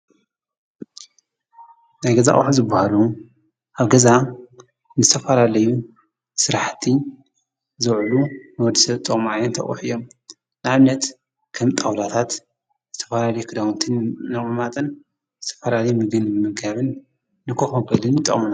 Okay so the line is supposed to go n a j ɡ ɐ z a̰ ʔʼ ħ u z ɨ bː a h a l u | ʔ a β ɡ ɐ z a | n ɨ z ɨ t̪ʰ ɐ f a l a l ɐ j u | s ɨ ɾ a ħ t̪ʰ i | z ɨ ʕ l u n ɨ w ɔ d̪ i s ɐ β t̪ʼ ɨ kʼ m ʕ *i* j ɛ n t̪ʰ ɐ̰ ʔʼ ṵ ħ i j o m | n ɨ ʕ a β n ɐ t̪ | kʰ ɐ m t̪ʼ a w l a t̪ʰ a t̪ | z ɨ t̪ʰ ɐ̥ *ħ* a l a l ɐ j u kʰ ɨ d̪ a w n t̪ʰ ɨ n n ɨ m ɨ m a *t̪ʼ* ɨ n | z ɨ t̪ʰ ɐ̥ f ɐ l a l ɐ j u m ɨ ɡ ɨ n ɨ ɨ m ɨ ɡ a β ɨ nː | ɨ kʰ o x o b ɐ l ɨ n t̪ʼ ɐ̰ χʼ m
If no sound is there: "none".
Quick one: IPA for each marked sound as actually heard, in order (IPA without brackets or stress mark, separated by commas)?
a, f, t̪ʼ